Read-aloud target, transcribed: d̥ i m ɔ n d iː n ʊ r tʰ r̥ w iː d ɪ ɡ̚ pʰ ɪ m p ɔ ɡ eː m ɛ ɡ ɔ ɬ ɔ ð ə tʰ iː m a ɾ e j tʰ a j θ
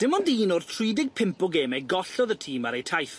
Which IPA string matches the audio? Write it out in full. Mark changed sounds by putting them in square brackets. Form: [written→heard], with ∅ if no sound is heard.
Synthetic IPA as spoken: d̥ [i→ɪ] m ɔ n d iː n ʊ r tʰ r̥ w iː d ɪ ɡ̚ pʰ ɪ m p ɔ ɡ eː m ɛ ɡ ɔ ɬ ɔ ð ə tʰ iː m a ɾ e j tʰ a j θ